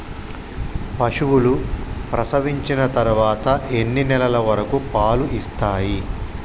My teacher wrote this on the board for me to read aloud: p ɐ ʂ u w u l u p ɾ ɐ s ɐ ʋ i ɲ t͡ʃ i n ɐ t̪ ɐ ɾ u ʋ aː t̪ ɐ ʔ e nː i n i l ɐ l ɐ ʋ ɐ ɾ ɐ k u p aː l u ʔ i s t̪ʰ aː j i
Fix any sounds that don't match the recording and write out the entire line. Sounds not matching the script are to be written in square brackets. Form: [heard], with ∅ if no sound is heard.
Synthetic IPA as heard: p ɐ ʂ u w u l u p ɾ ɐ s ɐ ʋ i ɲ t͡ʃ i n ɐ t̪ ɐ ɾ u ʋ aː t̪ ɐ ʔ e nː i n [ɛ] l ɐ l ɐ ʋ ɐ ɾ ɐ k u p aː l u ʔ i s [t̪] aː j i